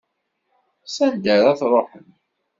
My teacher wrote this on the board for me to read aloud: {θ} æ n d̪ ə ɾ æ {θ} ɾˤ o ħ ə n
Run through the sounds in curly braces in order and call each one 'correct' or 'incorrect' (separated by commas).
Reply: incorrect, correct